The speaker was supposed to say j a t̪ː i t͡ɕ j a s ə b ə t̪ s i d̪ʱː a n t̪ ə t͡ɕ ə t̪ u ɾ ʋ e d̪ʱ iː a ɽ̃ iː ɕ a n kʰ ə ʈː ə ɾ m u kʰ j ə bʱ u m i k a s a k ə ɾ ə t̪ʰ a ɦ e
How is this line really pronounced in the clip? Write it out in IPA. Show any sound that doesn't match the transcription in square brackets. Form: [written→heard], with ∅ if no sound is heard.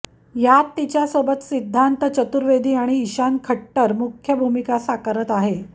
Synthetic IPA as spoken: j a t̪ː i t͡ɕ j a s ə b ə t̪ s i d̪ʱː a n t̪ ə t͡ɕ ə t̪ u ɾ ʋ e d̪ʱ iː a ɽ̃ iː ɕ a n kʰ ə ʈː ə ɾ m u kʰ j ə bʱ u m i k a s a k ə ɾ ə [t̪ʰ→t̪] a ɦ e